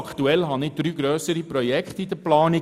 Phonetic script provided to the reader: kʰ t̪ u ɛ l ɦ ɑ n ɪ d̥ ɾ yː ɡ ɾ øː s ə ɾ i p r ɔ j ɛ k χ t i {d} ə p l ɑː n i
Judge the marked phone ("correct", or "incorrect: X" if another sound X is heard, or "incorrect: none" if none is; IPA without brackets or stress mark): correct